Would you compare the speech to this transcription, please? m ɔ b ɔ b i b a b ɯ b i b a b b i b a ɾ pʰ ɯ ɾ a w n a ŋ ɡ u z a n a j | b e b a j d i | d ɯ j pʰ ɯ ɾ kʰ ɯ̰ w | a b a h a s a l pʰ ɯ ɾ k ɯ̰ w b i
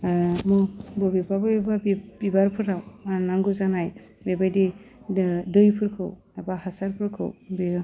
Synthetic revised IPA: m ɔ b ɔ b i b a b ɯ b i b a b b i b a ɾ pʰ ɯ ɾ a w n a ŋ ɡ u z a n a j | b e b a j d i | d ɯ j pʰ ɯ ɾ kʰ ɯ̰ w | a b a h a s a ɾ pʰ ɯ ɾ kʰ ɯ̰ w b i

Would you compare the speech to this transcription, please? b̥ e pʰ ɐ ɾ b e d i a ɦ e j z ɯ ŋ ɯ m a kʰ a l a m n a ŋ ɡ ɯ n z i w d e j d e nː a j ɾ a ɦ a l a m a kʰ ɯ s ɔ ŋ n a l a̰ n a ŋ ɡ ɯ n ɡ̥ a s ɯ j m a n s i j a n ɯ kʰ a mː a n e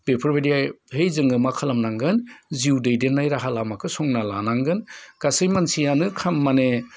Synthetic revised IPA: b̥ e pʰ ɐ ɾ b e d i a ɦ e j z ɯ ŋ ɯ m a kʰ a l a m n a ŋ ɡ ɯ n z i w d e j d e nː a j ɾ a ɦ a l a m a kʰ ɯ s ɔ ŋ n a l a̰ n a ŋ ɡ ɯ n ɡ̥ a s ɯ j m a n s i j a n ɯ kʰ a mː a n e

